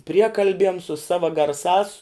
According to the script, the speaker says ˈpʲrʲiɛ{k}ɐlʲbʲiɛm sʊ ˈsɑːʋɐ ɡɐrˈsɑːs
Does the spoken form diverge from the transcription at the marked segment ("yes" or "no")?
no